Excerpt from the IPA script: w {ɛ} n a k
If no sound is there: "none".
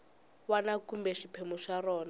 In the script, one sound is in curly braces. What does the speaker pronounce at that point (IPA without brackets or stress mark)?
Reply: a